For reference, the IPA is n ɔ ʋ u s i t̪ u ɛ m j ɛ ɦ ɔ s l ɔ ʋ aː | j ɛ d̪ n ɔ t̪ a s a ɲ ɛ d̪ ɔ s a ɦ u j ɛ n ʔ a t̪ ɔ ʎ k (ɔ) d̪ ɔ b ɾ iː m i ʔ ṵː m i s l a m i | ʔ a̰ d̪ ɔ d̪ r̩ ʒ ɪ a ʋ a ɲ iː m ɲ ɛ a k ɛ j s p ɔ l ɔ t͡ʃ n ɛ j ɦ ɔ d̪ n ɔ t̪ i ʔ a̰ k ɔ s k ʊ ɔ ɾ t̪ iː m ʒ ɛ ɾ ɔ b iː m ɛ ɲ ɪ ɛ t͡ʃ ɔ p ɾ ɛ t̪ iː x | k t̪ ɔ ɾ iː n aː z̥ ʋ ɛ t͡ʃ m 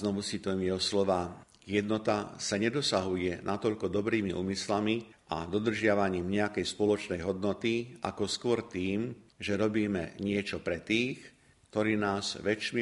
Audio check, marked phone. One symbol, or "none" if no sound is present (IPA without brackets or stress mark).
ɔ